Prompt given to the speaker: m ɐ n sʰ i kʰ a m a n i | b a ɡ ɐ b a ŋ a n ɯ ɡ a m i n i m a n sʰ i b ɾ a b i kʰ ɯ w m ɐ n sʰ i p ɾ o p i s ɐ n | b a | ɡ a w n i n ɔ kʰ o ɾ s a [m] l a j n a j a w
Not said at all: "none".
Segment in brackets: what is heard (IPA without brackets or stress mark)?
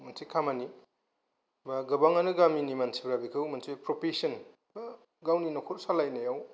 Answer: none